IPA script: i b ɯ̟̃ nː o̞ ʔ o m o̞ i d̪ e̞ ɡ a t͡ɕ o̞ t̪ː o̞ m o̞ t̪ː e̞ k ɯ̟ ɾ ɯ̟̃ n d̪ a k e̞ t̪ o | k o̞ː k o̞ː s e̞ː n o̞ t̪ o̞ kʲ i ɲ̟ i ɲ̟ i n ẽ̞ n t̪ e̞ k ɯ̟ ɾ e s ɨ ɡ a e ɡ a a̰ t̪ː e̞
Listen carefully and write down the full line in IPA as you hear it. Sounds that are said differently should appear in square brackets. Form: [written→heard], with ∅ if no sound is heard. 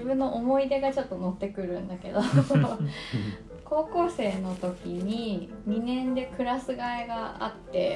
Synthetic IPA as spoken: i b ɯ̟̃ nː o̞ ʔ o m o̞ i d̪ e̞ ɡ a t͡ɕ o̞ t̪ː o̞ [m→n] o̞ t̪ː e̞ k ɯ̟ ɾ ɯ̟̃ n d̪ a k e̞ [t̪→d̪] o | k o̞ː k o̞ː s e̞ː n o̞ t̪ o̞ kʲ i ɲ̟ i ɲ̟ i n ẽ̞ n [t̪→d̪] e̞ k ɯ̟ ɾ [e→a] s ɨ ɡ a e ɡ a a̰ t̪ː e̞